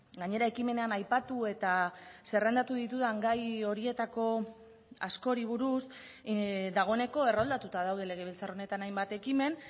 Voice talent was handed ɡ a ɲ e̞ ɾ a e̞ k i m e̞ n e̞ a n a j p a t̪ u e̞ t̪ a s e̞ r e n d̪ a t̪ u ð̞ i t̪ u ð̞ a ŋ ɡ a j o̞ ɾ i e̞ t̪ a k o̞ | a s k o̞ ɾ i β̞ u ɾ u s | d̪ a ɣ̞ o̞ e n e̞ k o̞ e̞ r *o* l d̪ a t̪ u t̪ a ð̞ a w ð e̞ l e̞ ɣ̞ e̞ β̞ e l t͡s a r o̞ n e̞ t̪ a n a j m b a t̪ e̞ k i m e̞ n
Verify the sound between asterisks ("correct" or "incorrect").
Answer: correct